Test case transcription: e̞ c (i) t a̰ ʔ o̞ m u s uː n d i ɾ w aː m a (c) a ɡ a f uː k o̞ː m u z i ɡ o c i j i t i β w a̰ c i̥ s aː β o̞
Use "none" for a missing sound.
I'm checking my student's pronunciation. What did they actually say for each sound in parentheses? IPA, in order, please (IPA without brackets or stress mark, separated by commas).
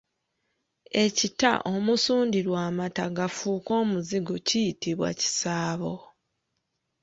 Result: i, t